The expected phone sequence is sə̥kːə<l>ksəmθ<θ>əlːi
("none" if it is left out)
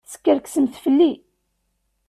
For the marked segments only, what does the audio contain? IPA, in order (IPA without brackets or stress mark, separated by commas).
ɾ, f